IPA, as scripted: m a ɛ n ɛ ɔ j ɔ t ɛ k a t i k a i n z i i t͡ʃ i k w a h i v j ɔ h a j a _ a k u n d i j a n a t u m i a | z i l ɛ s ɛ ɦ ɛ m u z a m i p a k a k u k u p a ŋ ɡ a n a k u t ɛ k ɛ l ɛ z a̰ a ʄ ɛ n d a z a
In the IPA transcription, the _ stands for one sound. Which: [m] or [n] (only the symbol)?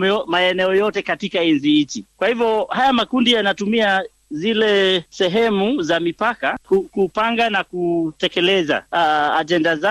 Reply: m